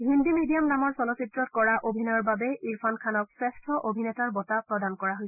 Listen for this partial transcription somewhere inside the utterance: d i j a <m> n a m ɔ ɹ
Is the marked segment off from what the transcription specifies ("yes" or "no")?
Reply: no